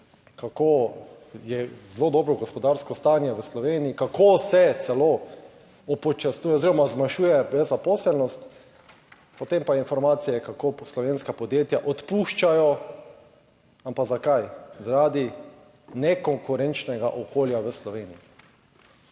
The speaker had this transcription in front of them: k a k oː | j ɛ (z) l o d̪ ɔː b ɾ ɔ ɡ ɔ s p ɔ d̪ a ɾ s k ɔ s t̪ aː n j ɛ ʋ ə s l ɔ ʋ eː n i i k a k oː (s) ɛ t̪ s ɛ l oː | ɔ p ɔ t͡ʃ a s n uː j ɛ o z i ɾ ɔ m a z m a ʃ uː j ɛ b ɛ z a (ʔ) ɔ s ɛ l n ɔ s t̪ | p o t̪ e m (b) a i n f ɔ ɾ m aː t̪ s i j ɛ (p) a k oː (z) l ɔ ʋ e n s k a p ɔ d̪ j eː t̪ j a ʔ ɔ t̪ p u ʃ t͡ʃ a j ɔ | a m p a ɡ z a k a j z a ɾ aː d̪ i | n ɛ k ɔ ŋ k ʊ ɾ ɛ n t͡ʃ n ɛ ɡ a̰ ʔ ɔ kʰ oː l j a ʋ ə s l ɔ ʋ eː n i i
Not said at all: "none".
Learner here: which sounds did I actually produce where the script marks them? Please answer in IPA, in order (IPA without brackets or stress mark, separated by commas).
z, s, p, p, k, s